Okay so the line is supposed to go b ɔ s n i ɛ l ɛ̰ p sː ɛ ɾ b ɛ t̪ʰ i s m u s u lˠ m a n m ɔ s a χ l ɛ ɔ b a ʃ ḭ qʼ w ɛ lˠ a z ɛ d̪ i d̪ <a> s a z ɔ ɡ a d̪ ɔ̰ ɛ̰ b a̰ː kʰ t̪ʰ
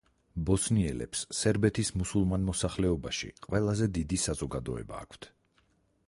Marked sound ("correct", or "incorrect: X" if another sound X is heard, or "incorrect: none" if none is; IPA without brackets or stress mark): incorrect: i